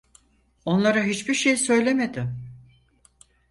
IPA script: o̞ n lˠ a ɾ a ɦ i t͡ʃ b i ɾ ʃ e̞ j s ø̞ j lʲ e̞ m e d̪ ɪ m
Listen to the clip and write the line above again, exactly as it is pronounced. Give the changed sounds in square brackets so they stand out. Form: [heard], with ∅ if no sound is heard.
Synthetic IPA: o̞ n lˠ a ɾ a ɦ i t͡ʃ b i ɾ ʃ e̞ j s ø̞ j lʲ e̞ m e d̪ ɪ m